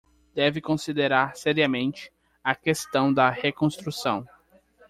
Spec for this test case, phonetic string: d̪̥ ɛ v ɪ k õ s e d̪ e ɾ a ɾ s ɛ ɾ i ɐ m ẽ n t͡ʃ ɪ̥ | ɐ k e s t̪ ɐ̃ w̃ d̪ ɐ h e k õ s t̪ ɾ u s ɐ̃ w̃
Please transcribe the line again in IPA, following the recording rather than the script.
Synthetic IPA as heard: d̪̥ ɛ v ɪ k õ s i d̪ e ɾ a ɾ s ɛ ɾ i ɐ m ẽ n t͡ʃ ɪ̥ | ɐ k e s t̪ ɐ̃ w̃ d̪ ɐ h e k õ s t̪ ɾ u s ɐ̃ w̃